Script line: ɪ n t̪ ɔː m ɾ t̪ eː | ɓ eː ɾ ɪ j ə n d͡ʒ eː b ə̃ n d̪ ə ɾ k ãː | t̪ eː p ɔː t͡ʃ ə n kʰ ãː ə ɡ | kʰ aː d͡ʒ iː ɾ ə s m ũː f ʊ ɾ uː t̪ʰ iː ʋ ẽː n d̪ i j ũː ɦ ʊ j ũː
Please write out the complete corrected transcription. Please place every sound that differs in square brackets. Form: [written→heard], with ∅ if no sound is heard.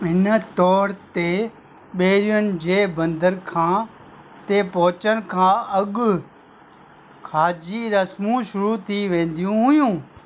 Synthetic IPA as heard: ɪ n t̪ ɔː [m→∅] ɾ t̪ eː | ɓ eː ɾ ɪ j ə n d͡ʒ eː b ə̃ n d̪ ə ɾ [k→kʰ] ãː | t̪ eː p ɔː t͡ʃ ə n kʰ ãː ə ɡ | kʰ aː d͡ʒ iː ɾ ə s m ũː [f→ʃ] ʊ ɾ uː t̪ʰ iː ʋ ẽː n d̪ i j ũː ɦ ʊ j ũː